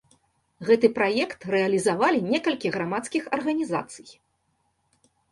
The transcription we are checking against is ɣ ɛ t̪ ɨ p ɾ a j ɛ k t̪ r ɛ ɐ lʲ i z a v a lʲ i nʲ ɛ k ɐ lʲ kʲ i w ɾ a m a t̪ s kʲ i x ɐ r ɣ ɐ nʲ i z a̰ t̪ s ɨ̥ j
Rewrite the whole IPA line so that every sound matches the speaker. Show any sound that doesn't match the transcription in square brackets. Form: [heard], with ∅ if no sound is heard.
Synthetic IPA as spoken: ɣ ɛ t̪ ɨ p ɾ a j ɛ k t̪ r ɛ ɐ lʲ i z a v a lʲ i nʲ ɛ k ɐ lʲ kʲ i [ɣ] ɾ a m a t̪ s kʲ i x ɐ r ɣ ɐ nʲ i z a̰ t̪ s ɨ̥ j